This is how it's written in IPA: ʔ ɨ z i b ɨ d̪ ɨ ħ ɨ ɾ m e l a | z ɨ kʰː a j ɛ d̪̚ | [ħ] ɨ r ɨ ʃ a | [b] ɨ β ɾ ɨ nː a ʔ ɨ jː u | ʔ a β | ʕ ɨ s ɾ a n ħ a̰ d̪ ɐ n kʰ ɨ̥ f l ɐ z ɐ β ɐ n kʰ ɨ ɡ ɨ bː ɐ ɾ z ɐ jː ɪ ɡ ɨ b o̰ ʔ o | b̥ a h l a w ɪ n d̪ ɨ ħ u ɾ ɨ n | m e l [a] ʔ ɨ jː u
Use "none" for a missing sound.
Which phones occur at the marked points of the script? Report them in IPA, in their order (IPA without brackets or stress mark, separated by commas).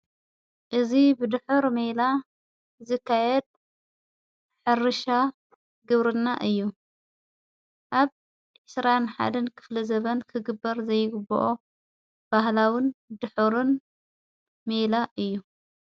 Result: ħ, ɡ, a